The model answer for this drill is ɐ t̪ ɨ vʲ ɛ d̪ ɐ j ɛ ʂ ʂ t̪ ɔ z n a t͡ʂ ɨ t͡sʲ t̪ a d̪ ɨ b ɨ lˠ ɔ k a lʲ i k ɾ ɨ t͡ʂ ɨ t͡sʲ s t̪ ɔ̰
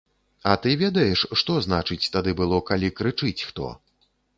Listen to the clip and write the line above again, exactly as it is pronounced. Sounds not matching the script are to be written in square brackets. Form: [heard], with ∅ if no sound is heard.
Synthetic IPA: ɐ t̪ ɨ vʲ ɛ d̪ ɐ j ɛ ʂ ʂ t̪ ɔ z n a t͡ʂ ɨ t͡sʲ t̪ a d̪ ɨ b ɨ lˠ ɔ k a lʲ i k ɾ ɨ t͡ʂ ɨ t͡sʲ [x] t̪ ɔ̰